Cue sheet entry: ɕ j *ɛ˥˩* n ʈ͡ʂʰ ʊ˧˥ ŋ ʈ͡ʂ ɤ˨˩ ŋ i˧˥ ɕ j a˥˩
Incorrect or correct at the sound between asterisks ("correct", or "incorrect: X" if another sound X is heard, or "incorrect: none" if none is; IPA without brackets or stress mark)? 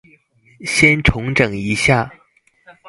incorrect: ɛ˥